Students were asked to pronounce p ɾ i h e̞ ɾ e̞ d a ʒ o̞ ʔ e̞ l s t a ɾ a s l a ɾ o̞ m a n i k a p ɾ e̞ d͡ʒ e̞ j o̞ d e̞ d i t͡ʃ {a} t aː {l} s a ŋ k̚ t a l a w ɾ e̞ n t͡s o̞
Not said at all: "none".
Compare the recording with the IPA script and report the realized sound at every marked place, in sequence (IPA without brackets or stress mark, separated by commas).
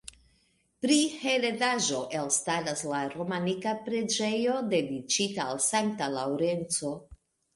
i, l